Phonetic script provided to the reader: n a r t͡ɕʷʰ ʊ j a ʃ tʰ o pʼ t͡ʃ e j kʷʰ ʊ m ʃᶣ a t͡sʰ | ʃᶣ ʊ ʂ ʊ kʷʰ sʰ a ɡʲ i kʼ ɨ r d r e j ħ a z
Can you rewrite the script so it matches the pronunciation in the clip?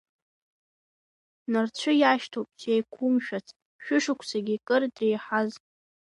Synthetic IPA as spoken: n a r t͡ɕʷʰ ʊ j a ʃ tʰ o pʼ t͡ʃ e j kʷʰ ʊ m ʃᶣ a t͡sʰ | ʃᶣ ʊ ʂ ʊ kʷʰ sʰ a ɡʲ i kʼ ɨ r d r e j ħ a z